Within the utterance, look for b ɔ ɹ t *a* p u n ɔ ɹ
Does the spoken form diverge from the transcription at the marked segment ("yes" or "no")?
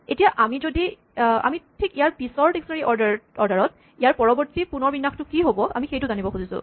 yes